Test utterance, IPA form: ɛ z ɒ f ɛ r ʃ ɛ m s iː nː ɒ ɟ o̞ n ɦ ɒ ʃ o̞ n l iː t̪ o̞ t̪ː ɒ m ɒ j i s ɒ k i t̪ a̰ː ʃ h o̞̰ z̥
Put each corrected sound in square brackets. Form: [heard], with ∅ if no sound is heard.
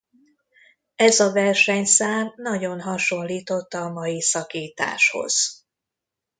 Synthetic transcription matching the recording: ɛ z ɒ [v] ɛ r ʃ ɛ [ɲ] s [aː] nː ɒ ɟ o̞ n ɦ ɒ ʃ o̞ n l iː t̪ o̞ t̪ː ɒ m ɒ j i s ɒ k [iː] t̪ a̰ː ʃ h o̞̰ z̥